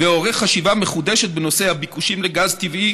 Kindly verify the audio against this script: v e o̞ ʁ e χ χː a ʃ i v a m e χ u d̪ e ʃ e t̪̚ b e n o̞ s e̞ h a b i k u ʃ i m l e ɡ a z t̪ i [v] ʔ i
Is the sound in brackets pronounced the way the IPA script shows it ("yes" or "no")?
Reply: yes